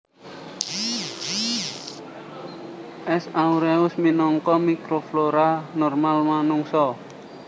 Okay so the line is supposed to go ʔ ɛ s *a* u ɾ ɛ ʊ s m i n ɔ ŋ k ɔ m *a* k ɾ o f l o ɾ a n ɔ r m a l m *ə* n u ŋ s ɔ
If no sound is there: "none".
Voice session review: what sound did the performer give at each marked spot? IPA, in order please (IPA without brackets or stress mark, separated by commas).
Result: a, i, a